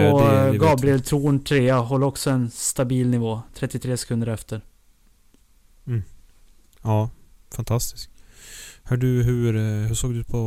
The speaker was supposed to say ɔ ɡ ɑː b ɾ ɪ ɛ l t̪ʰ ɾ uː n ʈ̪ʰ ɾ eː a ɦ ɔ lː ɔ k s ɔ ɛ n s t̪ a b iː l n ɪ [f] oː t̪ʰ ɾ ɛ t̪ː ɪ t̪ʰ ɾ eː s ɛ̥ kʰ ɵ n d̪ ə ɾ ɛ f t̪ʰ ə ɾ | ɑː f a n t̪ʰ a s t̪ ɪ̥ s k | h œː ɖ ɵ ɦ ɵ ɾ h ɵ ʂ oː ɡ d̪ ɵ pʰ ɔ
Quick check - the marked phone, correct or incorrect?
incorrect